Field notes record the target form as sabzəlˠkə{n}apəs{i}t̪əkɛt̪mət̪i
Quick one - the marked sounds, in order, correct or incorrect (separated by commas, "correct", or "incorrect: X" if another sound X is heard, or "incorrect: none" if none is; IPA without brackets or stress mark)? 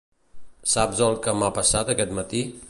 incorrect: m, incorrect: a